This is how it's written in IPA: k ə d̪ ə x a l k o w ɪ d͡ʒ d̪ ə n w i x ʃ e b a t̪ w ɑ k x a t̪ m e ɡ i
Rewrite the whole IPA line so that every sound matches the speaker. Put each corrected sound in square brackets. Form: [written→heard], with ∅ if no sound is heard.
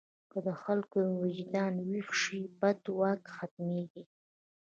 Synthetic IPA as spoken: k ə d̪ ə x a l k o w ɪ d͡ʒ d̪ [ə→ɑ] n w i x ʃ [e→i] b a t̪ w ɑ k x a t̪ m e ɡ i

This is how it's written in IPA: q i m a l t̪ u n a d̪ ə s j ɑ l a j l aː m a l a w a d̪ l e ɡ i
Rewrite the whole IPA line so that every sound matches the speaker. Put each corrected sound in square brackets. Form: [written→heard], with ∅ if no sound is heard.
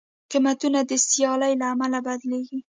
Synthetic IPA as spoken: q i m a [l→∅] t̪ u n a d̪ ə s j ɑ l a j l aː m a l a [w→b] a d̪ l e ɡ i

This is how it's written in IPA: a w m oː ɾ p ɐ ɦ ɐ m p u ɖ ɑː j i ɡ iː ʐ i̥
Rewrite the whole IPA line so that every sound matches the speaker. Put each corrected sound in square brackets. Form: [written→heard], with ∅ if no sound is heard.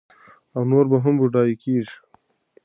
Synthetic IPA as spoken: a w [m→n] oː ɾ [p→b] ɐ ɦ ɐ m [p→b] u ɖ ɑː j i [ɡ→k] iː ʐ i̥

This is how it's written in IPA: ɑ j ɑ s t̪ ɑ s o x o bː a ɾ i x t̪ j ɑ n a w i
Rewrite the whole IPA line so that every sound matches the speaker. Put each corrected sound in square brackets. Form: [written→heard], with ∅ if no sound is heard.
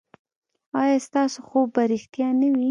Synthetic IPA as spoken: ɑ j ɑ s t̪ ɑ s o x o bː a ɾ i x t̪ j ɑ n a w i

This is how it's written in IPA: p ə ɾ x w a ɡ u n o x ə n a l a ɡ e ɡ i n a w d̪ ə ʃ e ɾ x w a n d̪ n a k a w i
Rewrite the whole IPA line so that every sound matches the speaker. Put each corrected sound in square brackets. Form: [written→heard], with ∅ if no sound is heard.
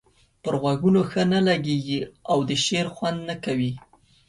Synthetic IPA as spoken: p ə ɾ [x→ɣ] w a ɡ u n o x ə n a l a ɡ e ɡ i [n→∅] a w d̪ ə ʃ e ɾ x w a n d̪ n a k a w i

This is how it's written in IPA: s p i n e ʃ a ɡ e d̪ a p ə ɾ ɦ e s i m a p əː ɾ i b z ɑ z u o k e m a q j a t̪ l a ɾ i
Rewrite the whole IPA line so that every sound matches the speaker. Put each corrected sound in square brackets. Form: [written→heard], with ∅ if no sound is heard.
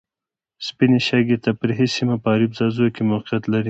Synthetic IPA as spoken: s p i n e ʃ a ɡ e [d̪→t̪] a p ə ɾ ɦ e s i m a p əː ɾ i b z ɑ z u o k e m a q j a t̪ l a ɾ i

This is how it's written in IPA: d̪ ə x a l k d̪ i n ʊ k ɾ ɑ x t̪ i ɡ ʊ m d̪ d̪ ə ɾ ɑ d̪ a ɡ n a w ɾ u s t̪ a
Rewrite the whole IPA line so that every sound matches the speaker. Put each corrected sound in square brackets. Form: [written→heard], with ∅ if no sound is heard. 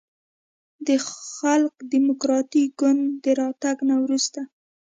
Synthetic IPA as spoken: d̪ ə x a l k d̪ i [n→m] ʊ k ɾ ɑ [x→∅] t̪ i ɡ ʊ [m→n] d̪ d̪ ə ɾ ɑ [d̪→t̪] a ɡ n a w ɾ u s t̪ a

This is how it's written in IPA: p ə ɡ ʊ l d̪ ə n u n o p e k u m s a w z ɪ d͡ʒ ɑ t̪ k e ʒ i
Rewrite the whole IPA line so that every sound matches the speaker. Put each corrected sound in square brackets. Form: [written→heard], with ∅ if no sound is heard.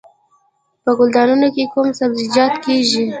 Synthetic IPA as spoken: p ə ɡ ʊ l d̪ [ə→ɑ] n u n o [p→k] e k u m s a [w→b] z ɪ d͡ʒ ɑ t̪ k e ʒ i

